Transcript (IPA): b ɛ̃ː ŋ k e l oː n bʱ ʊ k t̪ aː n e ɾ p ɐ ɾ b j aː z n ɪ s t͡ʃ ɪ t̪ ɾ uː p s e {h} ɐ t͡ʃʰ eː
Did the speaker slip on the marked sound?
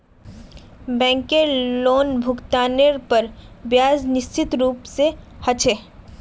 no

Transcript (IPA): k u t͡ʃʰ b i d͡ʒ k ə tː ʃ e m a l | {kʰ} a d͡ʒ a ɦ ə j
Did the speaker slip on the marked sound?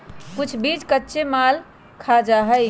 no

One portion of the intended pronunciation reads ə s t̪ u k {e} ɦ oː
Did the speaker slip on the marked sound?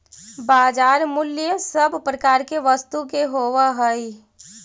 no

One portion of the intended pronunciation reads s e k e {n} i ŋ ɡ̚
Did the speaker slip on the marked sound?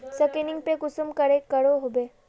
no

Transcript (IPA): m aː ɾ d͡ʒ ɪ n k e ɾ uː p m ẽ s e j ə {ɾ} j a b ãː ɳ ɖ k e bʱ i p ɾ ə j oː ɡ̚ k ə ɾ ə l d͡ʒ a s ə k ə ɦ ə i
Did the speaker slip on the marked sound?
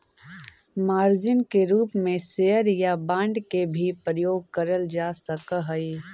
no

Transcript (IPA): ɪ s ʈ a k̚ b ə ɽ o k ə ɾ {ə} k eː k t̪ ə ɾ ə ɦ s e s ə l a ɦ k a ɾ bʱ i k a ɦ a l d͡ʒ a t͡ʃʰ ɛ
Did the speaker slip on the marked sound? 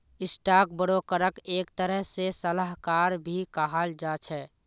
no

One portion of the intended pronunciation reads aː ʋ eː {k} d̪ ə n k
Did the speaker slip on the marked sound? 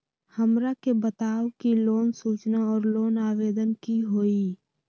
yes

